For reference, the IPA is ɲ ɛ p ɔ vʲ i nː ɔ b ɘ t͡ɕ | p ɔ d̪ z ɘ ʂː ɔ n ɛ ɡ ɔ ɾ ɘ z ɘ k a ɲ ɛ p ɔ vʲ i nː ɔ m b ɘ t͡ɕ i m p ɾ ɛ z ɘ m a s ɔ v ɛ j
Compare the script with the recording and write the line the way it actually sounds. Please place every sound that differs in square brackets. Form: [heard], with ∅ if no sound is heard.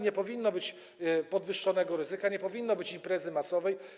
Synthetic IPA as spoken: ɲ ɛ p ɔ vʲ i nː ɔ b ɘ t͡ɕ | p ɔ d̪ [v] ɘ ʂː ɔ n ɛ ɡ ɔ ɾ ɘ z ɘ k a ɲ ɛ p ɔ vʲ i nː ɔ [∅] b ɘ t͡ɕ i m p ɾ ɛ z ɘ m a s ɔ v ɛ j

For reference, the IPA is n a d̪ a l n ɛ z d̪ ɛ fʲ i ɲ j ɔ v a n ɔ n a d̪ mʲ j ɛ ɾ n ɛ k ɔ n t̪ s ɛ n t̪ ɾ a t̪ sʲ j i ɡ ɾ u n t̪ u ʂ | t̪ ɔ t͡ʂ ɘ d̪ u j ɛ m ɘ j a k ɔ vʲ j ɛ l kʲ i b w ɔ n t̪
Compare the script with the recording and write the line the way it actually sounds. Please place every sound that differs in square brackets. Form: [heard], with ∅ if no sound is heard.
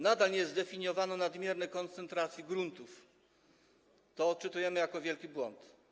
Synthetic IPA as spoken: n a d̪ a l [ɲ] ɛ z d̪ ɛ fʲ i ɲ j ɔ v a n ɔ n a d̪ mʲ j ɛ ɾ n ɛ k ɔ n t̪ s ɛ n t̪ ɾ a t̪ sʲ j i ɡ ɾ u n t̪ u [f] | t̪ ɔ t͡ʂ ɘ [t̪] u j ɛ m ɘ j a k ɔ vʲ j ɛ l kʲ i b w ɔ n t̪

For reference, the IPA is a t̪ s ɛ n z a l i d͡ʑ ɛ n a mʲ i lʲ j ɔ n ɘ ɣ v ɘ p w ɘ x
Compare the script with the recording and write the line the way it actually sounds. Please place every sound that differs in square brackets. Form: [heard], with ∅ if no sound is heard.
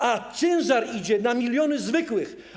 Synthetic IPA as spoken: a t̪ s ɛ n z a [ɾ] i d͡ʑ ɛ n a mʲ i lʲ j ɔ n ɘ [z] v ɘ [k] w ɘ x

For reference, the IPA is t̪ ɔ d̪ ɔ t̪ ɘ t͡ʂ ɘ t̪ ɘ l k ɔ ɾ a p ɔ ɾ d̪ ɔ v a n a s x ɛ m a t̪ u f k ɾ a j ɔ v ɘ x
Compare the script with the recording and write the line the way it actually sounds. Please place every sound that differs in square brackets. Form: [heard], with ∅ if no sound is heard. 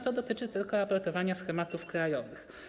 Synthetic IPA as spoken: t̪ ɔ d̪ ɔ t̪ ɘ t͡ʂ ɘ t̪ ɘ l k ɔ ɾ a p ɔ ɾ [t̪] ɔ v a [ɲ] a s x ɛ m a t̪ u f k ɾ a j ɔ v ɘ x

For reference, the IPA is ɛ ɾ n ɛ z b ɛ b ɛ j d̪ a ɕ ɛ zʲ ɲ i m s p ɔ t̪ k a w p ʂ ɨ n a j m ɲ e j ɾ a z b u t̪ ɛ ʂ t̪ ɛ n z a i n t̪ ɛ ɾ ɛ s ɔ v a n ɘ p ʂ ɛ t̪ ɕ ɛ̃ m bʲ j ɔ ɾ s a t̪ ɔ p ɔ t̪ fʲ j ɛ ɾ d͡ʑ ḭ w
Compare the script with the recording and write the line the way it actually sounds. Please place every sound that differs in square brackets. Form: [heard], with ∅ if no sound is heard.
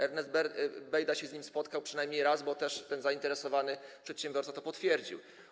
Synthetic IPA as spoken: ɛ ɾ n ɛ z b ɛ b ɛ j d̪ a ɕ ɛ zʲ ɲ i m s p ɔ t̪ k a w p ʂ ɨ n a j m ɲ e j ɾ a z b [ɔ] t̪ ɛ ʂ t̪ ɛ n z a i n t̪ ɛ ɾ ɛ s ɔ v a n ɘ p ʂ ɛ t̪ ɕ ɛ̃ m bʲ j ɔ ɾ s a t̪ ɔ p ɔ t̪ fʲ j ɛ ɾ d͡ʑ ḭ w

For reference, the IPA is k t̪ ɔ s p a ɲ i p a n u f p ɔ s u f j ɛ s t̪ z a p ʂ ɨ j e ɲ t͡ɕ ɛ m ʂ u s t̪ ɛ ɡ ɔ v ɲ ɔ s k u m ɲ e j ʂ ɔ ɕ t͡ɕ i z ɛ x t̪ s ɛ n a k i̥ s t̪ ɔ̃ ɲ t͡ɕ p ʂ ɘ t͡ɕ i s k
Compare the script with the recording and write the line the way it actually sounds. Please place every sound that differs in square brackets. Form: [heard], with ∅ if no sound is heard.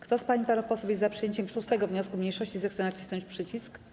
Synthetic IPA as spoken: k t̪ ɔ s p a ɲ i p a n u f p ɔ s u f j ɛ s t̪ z a p ʂ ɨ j e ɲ t͡ɕ ɛ m ʂ u s t̪ ɛ ɡ ɔ v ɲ ɔ s k u m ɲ e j ʂ ɔ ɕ t͡ɕ i z ɛ x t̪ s ɛ n a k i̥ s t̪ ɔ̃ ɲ t͡ɕ p ʂ ɘ t͡ɕ i s k

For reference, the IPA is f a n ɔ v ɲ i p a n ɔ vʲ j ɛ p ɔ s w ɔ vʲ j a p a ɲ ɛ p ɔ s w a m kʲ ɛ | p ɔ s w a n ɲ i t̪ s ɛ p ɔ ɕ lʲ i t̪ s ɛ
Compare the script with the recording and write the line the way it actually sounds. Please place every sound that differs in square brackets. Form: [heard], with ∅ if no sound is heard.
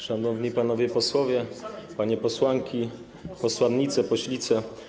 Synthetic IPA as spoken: [ʂ] a n ɔ v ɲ i p a n ɔ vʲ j ɛ p ɔ s w ɔ vʲ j [ɛ] p a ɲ ɛ p ɔ s w a [ŋ] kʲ [i] | p ɔ s w a n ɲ i t̪ s ɛ p ɔ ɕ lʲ i t̪ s ɛ

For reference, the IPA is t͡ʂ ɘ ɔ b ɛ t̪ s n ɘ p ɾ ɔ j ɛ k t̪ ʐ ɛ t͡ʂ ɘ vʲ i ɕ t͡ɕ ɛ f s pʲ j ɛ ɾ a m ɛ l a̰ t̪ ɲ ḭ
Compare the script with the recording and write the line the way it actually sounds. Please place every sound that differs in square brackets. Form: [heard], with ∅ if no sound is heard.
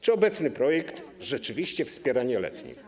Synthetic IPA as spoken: t͡ʂ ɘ ɔ b ɛ t̪ s n ɘ p ɾ ɔ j ɛ k t̪ ʐ ɛ t͡ʂ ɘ vʲ i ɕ t͡ɕ ɛ f s pʲ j ɛ ɾ a [ɲ] ɛ l [ɛ̰] t̪ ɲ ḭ

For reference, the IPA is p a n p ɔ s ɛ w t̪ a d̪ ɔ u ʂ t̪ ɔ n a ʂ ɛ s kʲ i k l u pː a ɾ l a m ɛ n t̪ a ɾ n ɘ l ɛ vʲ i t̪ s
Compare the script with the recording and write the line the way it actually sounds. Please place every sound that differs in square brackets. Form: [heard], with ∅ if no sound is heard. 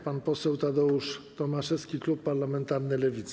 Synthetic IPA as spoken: p a n p ɔ s ɛ w t̪ a d̪ ɔ u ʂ t̪ ɔ [m] a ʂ ɛ s kʲ i k l u pː a ɾ l a m ɛ n t̪ a ɾ n ɘ l ɛ vʲ i t̪ s

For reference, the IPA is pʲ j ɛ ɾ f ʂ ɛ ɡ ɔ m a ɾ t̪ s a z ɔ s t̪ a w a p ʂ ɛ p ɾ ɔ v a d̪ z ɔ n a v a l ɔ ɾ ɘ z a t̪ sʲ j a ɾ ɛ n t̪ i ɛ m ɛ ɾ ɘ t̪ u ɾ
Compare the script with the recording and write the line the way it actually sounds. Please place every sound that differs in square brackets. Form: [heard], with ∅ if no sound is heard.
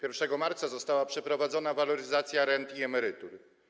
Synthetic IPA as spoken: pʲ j ɛ ɾ f ʂ ɛ ɡ ɔ m a ɾ t̪ s a z ɔ s t̪ a w a p ʂ ɛ p ɾ ɔ v a d̪ z ɔ n a v a l ɔ ɾ ɘ z a t̪ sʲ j a ɾ ɛ n t̪ i ɛ m ɛ ɾ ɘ t̪ u ɾ

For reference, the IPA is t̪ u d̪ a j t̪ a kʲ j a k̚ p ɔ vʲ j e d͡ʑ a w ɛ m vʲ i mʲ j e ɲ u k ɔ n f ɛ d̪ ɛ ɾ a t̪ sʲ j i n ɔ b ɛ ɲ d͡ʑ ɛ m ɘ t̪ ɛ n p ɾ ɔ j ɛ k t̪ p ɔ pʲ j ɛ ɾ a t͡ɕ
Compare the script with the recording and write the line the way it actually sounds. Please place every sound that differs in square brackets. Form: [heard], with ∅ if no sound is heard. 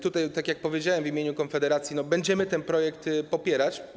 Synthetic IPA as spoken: t̪ u [t̪] a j t̪ a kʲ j a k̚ p ɔ vʲ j e d͡ʑ a w ɛ m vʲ i mʲ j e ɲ u k ɔ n f ɛ d̪ ɛ ɾ a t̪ sʲ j i n ɔ b ɛ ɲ d͡ʑ ɛ m ɘ t̪ ɛ n p ɾ ɔ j ɛ k t̪ p ɔ pʲ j ɛ ɾ a t͡ɕ

